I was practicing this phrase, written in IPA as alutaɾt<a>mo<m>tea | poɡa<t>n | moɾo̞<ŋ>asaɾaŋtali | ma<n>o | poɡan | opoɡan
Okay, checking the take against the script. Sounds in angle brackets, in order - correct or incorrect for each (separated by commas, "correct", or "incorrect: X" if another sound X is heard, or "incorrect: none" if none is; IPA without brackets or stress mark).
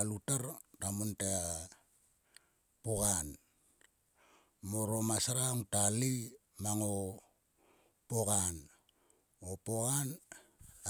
correct, incorrect: n, incorrect: none, incorrect: m, incorrect: ŋ